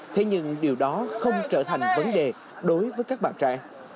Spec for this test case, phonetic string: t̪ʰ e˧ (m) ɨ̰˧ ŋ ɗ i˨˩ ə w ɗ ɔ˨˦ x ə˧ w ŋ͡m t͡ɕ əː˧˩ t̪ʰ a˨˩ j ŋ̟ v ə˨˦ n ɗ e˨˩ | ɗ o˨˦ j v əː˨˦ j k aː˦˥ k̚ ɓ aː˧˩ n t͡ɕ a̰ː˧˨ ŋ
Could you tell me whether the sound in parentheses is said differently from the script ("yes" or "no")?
yes